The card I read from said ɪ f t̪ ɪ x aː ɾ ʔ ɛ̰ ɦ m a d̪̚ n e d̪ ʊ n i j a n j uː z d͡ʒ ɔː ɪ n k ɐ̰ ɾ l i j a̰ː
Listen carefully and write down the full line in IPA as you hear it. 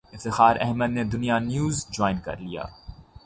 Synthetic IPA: ɪ f t̪ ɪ x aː ɾ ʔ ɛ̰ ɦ m ə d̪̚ n e d̪ ʊ n i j a n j uː z d͡ʒ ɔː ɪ n k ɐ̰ ɾ l i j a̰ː